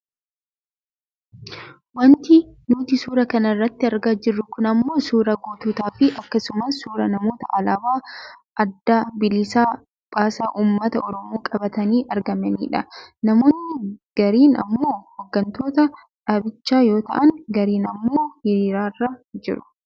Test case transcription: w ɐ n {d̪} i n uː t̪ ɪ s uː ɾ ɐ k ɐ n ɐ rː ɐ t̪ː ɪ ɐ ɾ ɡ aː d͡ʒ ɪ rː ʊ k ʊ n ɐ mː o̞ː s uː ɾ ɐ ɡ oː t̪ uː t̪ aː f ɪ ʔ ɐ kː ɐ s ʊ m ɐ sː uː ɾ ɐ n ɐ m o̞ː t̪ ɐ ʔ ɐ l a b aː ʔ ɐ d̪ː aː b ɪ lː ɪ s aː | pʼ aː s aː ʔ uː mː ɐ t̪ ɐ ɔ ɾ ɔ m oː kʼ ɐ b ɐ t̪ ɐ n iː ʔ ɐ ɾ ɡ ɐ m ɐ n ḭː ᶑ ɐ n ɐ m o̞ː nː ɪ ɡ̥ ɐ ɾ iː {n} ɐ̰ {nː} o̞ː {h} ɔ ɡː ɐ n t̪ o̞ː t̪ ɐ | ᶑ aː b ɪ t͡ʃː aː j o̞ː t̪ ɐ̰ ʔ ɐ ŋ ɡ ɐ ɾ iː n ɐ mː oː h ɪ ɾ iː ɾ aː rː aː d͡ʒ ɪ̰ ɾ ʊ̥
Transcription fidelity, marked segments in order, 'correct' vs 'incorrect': incorrect: t̪, correct, incorrect: mː, correct

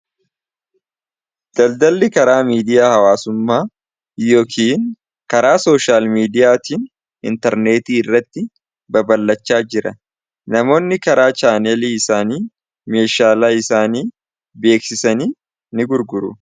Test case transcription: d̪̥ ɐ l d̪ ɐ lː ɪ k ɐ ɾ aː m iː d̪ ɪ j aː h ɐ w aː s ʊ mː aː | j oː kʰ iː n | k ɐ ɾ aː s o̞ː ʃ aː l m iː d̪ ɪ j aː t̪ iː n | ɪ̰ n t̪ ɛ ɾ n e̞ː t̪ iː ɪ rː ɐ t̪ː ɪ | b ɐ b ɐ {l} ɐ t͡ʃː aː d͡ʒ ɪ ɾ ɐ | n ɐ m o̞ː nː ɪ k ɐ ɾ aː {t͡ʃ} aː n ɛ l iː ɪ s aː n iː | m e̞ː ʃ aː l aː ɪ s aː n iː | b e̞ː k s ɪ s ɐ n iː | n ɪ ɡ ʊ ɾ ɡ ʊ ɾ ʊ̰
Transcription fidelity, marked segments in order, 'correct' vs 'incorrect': incorrect: lː, correct

